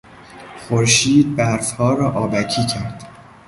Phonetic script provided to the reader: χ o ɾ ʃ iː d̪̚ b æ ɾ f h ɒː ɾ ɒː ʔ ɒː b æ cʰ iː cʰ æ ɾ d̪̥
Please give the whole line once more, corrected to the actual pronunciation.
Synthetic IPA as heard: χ o ɾ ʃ iː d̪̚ b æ ɾ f h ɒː ɾ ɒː ʔ ɒː b æ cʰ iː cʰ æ ɾ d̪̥